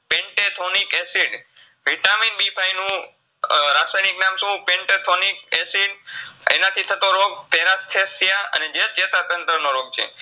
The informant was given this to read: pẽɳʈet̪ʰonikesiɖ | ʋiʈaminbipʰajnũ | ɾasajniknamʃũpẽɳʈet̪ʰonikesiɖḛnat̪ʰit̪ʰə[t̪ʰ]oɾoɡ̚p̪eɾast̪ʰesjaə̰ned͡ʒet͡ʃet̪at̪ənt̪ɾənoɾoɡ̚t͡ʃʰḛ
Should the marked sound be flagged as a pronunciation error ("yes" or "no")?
yes